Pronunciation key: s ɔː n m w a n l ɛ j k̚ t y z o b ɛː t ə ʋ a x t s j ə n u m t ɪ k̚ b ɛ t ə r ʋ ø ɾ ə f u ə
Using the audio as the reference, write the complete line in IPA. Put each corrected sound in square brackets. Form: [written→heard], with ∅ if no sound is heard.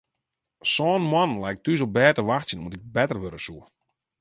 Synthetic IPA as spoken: s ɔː n m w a n l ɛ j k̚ t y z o b ɛː t ə ʋ a x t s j ə n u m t ɪ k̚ b ɛ t ə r ʋ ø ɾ ə [f→s] u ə